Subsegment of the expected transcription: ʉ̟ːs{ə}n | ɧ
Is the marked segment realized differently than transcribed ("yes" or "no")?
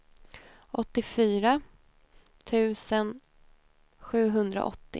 no